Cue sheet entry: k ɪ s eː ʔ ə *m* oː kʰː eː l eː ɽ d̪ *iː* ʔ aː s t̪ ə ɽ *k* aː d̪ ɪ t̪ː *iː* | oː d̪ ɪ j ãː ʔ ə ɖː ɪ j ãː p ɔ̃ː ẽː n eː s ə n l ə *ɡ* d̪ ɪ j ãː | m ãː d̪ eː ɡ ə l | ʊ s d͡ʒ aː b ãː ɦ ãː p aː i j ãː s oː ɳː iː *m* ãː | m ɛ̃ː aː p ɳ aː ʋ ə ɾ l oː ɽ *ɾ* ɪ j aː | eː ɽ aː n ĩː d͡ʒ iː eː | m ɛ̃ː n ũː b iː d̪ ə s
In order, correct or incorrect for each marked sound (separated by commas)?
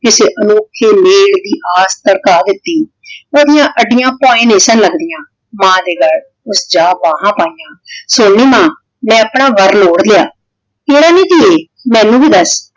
incorrect, correct, correct, correct, correct, correct, incorrect